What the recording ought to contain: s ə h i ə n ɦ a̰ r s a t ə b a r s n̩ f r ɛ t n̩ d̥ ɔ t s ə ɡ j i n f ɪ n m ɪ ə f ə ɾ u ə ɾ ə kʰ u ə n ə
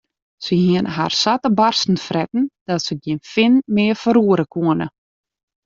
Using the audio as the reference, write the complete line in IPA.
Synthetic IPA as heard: s ə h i ə n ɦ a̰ r s a t ə b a r s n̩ f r ɛ t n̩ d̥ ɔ t s ə ɡ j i n f ɪ n m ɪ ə f ə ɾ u ə ɾ ə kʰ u ə n ə